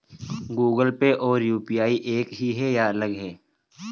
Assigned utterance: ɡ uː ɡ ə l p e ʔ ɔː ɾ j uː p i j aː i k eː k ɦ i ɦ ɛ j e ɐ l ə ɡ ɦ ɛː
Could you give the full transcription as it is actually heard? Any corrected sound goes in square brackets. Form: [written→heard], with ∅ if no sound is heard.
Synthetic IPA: ɡ uː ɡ ə l p e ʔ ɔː ɾ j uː p i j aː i [k→ʔ] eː k ɦ i ɦ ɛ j [e→a] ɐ l ə ɡ ɦ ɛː